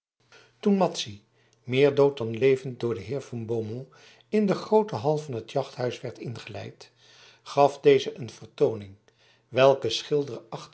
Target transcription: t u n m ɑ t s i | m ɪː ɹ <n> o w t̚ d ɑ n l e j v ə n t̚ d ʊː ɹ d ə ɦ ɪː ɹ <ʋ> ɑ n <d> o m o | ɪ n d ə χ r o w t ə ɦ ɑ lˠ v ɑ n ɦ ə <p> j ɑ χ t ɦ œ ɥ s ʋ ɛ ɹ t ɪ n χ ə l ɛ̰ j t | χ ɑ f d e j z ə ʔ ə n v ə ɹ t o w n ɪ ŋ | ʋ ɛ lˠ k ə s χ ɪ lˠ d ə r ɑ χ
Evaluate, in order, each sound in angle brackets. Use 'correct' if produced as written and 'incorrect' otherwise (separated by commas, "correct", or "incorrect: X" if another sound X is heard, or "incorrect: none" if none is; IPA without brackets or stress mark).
incorrect: d, incorrect: v, incorrect: b, incorrect: t